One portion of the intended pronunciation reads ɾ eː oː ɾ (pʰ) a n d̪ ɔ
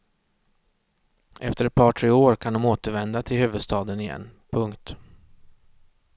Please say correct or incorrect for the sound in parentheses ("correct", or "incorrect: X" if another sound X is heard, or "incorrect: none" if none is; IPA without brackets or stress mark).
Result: incorrect: kʰ